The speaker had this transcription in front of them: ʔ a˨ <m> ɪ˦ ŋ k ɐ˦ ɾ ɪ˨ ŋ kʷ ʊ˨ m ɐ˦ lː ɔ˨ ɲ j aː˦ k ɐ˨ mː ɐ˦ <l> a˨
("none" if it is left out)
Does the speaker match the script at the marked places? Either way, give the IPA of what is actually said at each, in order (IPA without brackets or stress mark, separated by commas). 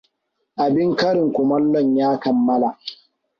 b, l